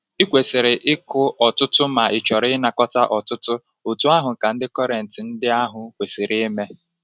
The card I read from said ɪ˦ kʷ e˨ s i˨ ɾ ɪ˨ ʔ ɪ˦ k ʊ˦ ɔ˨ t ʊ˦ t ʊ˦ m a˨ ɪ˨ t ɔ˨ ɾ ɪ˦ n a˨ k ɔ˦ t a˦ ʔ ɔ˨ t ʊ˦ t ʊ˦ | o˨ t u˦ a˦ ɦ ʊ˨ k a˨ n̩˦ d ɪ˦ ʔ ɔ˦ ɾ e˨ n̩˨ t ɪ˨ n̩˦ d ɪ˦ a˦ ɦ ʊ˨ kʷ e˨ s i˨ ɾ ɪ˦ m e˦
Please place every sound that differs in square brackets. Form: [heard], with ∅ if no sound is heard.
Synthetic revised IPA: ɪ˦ kʷ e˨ s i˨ ɾ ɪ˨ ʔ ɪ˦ k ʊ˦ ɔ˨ t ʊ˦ t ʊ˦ m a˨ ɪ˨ [t͡ʃ] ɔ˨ ɾ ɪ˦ n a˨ k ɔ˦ t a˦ ʔ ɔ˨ t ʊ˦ t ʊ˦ | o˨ t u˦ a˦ ɦ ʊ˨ k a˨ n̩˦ d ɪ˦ [k] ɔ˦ ɾ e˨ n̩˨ t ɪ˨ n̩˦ d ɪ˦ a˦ ɦ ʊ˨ kʷ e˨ s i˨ ɾ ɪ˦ m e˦